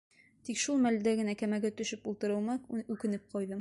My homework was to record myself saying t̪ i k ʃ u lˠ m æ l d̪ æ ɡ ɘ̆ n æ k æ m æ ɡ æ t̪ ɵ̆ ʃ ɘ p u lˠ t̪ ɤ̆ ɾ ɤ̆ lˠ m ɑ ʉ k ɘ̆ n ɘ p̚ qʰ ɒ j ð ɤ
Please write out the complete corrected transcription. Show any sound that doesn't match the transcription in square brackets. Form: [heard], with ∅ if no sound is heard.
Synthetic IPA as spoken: t̪ i k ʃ u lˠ m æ l d̪ æ ɡ ɘ̆ n æ k æ m æ ɡ æ t̪ ɵ̆ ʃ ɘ p u lˠ t̪ ɤ̆ ɾ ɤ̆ lˠ m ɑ ʉ k ɘ̆ n ɘ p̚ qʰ ɒ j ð ɤ